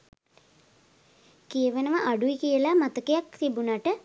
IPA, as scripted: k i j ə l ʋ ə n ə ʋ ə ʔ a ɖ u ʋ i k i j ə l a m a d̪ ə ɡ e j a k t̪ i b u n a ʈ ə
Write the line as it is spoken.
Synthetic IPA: k i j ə ʋ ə n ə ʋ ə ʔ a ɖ u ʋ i k i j ə l a m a t̪ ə k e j a k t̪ i b u n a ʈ ə